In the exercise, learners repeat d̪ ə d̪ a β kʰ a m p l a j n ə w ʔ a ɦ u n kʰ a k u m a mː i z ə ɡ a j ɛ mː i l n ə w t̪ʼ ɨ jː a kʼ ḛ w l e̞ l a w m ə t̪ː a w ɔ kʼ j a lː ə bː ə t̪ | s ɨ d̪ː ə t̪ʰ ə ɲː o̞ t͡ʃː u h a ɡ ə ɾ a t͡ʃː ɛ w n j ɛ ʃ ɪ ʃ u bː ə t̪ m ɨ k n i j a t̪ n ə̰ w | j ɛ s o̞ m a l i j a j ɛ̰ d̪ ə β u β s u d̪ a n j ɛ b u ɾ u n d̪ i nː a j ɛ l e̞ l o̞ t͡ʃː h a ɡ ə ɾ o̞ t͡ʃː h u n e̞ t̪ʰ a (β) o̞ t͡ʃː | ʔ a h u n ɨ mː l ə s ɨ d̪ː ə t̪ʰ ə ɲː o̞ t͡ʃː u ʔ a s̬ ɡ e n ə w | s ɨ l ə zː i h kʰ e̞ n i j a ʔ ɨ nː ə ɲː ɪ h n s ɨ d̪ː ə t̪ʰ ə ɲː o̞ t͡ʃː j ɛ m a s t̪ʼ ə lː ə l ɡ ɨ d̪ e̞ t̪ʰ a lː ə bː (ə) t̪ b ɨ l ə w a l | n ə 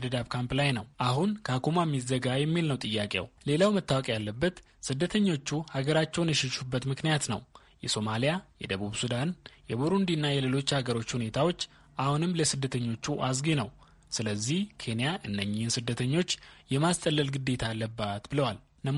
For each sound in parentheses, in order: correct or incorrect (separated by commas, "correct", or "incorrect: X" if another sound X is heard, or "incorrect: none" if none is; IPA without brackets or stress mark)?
incorrect: w, incorrect: a